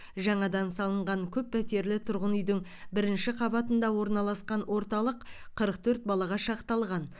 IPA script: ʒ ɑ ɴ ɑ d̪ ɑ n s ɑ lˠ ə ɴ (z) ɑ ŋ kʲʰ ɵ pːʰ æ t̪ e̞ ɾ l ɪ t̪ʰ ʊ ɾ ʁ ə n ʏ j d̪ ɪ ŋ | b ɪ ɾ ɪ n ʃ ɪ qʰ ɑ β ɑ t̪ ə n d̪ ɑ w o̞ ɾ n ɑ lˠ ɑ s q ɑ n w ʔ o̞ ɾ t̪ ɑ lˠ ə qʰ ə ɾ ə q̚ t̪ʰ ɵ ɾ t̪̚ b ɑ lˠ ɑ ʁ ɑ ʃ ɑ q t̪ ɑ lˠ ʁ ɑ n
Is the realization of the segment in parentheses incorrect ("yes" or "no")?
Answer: yes